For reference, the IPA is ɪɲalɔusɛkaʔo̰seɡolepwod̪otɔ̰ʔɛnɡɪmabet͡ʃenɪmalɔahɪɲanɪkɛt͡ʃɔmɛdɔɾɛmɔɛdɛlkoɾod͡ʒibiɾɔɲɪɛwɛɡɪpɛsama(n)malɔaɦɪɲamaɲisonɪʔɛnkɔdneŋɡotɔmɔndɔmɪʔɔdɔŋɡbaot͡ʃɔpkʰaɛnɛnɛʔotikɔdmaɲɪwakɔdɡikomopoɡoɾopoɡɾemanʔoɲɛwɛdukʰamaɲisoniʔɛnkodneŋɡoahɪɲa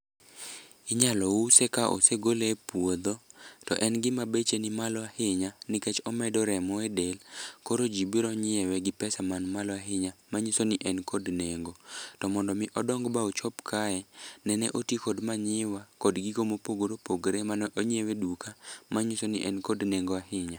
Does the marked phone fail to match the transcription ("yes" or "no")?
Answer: no